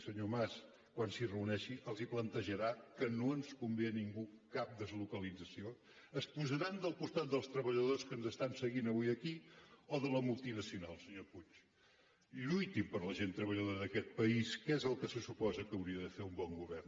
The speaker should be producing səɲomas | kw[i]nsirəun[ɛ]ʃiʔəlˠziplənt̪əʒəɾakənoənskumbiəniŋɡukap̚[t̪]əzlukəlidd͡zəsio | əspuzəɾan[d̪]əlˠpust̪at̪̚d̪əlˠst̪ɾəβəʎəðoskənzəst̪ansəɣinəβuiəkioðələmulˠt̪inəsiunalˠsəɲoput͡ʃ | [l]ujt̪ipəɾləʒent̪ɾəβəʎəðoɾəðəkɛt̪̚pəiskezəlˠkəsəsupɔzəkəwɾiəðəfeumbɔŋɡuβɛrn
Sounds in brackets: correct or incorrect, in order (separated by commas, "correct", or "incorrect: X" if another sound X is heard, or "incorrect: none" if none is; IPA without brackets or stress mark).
incorrect: a, correct, incorrect: d̪, correct, incorrect: ʎ